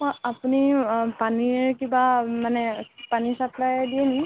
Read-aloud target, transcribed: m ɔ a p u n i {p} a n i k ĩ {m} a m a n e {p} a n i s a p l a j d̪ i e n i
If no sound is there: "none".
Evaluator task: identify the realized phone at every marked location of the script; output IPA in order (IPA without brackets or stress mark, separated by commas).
p, b, p